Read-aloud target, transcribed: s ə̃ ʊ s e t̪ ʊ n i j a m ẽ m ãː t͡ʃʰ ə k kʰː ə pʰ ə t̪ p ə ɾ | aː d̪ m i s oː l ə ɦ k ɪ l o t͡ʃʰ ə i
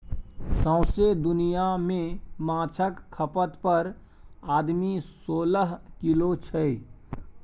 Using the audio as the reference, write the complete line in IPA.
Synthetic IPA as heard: s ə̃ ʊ s e d̪ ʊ n i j a m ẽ m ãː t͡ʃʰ ə k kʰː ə p ə t̪ p ə ɾ | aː d̪ m i s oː l ə ɦ k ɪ l o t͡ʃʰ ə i